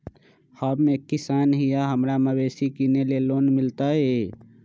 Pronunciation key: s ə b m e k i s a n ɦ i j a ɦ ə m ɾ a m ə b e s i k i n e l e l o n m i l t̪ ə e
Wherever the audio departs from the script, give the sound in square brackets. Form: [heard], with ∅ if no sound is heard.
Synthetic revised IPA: [h] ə b m e k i s a n ɦ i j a ɦ ə m ɾ a m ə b e s i k i n e l e l o n m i l t̪ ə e